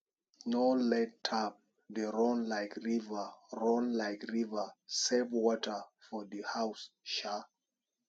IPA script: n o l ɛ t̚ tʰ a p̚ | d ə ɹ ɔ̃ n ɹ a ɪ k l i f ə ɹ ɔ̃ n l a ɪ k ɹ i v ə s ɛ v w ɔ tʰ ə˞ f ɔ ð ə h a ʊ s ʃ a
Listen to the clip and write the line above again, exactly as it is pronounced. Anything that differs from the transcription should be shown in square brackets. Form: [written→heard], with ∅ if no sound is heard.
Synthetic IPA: n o l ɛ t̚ tʰ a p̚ | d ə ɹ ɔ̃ n [ɹ→l] a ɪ k [l→ɹ] i [f→v] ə ɹ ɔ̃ n l a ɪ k ɹ i v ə s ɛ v w ɔ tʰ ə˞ f ɔ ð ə h a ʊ s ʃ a